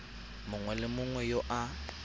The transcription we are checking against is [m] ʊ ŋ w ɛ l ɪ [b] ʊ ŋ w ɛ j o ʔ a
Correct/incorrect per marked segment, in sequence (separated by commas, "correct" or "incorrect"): correct, incorrect